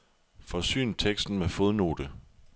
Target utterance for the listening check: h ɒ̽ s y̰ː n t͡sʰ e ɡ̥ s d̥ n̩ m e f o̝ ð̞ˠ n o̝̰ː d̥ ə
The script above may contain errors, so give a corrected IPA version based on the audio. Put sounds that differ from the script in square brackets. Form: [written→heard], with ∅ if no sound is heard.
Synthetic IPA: [h→f] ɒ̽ s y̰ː n t͡sʰ e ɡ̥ s d̥ n̩ m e f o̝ ð̞ˠ n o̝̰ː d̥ ə

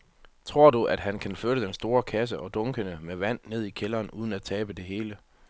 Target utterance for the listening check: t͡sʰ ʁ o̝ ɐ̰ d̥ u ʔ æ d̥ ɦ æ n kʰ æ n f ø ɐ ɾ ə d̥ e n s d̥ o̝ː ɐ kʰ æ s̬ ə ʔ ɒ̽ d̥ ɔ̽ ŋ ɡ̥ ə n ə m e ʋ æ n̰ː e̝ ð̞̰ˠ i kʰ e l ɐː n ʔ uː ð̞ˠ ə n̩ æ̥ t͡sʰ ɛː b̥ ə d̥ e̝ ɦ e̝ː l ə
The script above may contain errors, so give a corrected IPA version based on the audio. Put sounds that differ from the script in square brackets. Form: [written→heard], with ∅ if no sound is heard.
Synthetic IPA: t͡sʰ ʁ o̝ ɐ̰ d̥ u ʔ æ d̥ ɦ æ n kʰ æ n f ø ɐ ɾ ə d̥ e n s d̥ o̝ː ɐ kʰ æ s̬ ə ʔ ɒ̽ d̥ ɔ̽ ŋ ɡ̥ ə n ə m e ʋ æ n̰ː e̝ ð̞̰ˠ i kʰ e l ɐː n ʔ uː ð̞ˠ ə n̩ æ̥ t͡sʰ ɛː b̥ ə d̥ e̝ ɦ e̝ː l ə

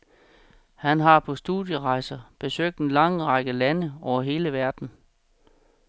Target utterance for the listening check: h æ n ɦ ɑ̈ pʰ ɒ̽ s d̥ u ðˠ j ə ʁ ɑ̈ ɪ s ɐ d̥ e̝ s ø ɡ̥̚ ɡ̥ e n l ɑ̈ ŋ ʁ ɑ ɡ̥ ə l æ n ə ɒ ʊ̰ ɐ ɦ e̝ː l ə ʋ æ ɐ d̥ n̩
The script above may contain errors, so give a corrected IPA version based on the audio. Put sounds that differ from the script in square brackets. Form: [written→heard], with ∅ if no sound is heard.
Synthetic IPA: h æ n ɦ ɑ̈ pʰ ɒ̽ s d̥ u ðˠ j ə ʁ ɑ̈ ɪ s ɐ [d̥→b̥] e̝ s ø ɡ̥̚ [ɡ̥→d̥] e n l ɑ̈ ŋ ʁ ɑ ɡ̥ ə l æ n ə ɒ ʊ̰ ɐ ɦ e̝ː l ə ʋ æ ɐ d̥ n̩

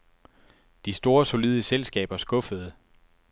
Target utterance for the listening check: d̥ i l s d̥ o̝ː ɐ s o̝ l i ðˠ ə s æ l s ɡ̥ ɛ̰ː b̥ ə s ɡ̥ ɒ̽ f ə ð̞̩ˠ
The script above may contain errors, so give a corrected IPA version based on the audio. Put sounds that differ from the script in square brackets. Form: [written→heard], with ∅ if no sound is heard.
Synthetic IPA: d̥ i [l→∅] s d̥ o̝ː ɐ s o̝ l i ðˠ ə s [æ→e] l s ɡ̥ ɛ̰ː b̥ [ə→ɐ] s ɡ̥ [ɒ̽→ɔ̽] f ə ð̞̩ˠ

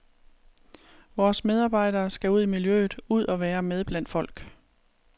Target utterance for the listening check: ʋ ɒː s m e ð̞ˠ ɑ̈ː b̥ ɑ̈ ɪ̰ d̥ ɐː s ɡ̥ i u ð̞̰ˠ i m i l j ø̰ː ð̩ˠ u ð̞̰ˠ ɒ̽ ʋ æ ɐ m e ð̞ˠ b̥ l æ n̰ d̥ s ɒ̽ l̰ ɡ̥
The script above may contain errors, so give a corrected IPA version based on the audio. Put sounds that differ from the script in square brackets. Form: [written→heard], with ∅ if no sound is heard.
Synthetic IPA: ʋ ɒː s m e ð̞ˠ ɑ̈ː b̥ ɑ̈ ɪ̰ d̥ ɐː s ɡ̥ [i→æ] u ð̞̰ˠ i m i l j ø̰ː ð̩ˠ u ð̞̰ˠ ɒ̽ ʋ [æ→æː] ɐ m e ð̞ˠ b̥ l æ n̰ d̥ [s→f] ɒ̽ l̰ ɡ̥

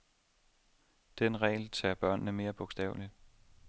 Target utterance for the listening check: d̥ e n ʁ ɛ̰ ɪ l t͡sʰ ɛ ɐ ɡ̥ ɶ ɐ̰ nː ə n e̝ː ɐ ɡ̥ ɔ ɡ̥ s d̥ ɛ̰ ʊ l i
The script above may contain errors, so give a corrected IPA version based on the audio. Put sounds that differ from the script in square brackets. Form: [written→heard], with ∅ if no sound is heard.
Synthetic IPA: d̥ e n ʁ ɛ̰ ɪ l t͡sʰ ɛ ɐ [ɡ̥→b̥] ɶ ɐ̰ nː ə [n→m] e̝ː ɐ [ɡ̥→b̥] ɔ ɡ̥ s d̥ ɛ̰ ʊ l i

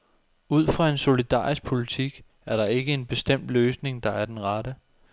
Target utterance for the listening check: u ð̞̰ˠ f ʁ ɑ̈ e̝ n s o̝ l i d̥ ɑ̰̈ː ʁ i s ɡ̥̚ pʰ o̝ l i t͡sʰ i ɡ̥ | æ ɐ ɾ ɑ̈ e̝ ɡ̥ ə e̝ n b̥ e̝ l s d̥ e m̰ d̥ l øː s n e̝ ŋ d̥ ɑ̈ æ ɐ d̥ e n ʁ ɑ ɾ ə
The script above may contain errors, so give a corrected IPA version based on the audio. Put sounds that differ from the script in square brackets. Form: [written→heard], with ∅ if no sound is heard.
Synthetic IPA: u ð̞̰ˠ f ʁ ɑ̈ e̝ n s o̝ l i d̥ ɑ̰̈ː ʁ i s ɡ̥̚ pʰ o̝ l i t͡sʰ i ɡ̥ | æ ɐ ɾ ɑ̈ e̝ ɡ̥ ə e̝ n b̥ e̝ [l→∅] s d̥ e m̰ d̥ l øː s n e̝ ŋ d̥ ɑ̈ æ ɐ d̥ e n ʁ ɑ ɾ ə

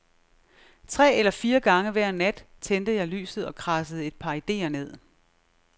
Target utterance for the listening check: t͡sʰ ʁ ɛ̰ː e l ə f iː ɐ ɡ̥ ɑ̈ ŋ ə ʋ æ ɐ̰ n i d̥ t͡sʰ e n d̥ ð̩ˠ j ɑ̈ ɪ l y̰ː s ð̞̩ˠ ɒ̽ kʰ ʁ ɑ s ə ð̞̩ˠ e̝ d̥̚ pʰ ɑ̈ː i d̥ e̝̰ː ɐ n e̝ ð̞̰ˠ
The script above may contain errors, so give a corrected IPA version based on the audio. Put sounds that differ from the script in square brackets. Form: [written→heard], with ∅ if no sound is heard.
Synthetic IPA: t͡sʰ ʁ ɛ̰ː e l [ə→ɐ] f iː ɐ ɡ̥ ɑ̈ ŋ ə ʋ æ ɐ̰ n [i→æ] d̥ t͡sʰ e n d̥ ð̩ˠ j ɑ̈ ɪ l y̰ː s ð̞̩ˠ ɒ̽ kʰ ʁ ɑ s ə ð̞̩ˠ e̝ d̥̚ pʰ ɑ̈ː i d̥ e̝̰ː ɐ n e̝ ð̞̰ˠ

